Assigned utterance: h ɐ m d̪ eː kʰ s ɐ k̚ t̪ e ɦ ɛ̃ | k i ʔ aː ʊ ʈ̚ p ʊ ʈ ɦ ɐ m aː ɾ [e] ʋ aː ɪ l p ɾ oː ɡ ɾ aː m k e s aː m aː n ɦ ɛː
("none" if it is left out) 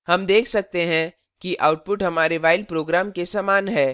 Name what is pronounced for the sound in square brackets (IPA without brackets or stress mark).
e